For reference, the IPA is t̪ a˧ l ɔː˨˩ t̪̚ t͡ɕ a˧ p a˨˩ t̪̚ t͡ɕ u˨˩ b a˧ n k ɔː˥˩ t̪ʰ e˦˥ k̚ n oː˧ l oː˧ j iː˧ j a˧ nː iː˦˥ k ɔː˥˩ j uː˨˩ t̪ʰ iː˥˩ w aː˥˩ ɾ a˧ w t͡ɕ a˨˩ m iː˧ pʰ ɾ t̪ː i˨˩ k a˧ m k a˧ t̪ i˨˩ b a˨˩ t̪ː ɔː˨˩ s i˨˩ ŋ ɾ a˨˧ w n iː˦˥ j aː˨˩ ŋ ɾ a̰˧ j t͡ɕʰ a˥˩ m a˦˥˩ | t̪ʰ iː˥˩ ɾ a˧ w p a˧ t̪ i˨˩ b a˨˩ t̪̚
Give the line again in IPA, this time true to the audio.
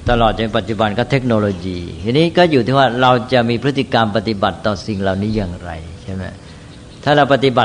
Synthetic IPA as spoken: t̪ a˧ l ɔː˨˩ t̪̚ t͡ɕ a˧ p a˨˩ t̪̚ t͡ɕ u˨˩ b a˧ n k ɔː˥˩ t̪ʰ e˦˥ k̚ n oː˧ l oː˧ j iː˧ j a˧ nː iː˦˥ k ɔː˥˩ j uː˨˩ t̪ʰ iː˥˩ w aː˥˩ ɾ a˧ w t͡ɕ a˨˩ m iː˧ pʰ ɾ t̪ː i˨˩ k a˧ m p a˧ t̪ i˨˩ b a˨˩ t̪ː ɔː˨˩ s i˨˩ ŋ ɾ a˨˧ w n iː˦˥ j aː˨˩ ŋ ɾ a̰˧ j t͡ɕʰ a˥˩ m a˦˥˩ | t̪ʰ aː˥˩ ɾ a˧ w p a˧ t̪ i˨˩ b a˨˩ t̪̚